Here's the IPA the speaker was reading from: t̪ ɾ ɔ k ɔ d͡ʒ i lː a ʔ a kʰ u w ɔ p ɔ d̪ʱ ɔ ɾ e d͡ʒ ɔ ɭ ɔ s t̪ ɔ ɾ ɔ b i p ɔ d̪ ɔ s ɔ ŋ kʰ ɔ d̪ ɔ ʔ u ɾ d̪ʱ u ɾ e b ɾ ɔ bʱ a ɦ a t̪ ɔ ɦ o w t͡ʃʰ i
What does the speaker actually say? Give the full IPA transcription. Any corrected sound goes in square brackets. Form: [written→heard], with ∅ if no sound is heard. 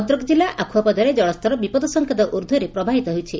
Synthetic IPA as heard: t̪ ɾ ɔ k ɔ d͡ʒ i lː a ʔ a kʰ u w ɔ p ɔ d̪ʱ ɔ ɾ e d͡ʒ ɔ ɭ ɔ s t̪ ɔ ɾ ɔ b i p ɔ d̪ ɔ s ɔ ŋ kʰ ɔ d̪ ɔ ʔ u ɾ d̪ʱ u ɾ e [b→p] ɾ ɔ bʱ a ɦ [a→i] t̪ ɔ ɦ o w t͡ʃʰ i